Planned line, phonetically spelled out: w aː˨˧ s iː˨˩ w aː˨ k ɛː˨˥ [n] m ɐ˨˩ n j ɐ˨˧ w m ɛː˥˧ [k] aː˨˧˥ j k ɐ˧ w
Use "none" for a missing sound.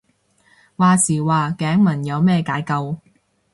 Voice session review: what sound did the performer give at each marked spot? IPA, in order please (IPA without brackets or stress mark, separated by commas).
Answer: ŋ, k